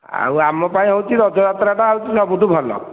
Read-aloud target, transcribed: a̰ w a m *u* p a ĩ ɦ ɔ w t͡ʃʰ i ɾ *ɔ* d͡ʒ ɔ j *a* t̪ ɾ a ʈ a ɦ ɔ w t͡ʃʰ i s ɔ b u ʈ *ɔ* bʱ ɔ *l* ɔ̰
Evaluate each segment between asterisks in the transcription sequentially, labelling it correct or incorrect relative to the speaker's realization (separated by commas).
incorrect, correct, correct, incorrect, correct